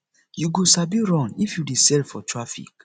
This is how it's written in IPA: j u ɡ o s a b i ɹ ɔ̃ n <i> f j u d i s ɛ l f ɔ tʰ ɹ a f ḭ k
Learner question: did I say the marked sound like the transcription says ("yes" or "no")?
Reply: yes